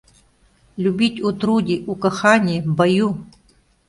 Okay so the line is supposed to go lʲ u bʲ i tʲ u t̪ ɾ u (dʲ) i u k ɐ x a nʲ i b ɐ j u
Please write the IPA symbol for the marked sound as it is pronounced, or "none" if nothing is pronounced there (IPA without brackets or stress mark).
dʲ